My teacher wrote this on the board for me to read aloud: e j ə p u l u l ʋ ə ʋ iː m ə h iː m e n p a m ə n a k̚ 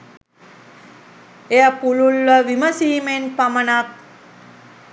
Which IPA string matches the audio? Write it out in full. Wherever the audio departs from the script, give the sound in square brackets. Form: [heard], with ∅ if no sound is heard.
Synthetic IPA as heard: e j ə p u l u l ʋ ə ʋ [i] m ə [s] iː m e n p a m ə n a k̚